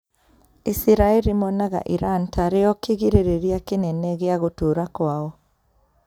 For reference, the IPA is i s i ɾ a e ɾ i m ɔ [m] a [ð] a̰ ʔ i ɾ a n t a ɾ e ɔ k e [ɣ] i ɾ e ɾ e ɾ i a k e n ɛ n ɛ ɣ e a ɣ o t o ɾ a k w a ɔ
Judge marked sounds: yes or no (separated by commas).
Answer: no, no, yes